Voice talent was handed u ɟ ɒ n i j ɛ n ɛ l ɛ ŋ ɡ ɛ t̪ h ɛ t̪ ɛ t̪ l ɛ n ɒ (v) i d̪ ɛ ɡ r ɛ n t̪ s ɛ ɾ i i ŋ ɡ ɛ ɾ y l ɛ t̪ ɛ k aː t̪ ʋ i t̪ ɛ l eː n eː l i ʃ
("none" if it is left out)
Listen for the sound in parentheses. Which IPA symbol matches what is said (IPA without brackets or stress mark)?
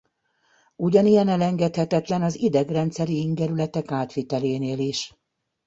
z